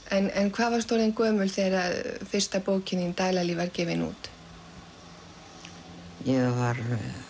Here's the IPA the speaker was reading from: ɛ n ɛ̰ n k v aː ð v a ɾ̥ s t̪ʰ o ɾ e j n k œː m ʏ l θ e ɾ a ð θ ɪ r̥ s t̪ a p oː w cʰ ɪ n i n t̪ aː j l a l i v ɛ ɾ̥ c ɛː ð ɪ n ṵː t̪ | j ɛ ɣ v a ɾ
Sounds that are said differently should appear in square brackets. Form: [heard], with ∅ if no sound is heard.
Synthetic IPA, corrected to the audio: ɛ n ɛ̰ n [kʰ] v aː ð v a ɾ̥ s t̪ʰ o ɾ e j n k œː m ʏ l θ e ɾ a ð [f] ɪ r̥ s t̪ a p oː w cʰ ɪ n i n t̪ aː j l a l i v [a] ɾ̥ c ɛː [v] ɪ n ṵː t̪ | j ɛ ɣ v a ɾ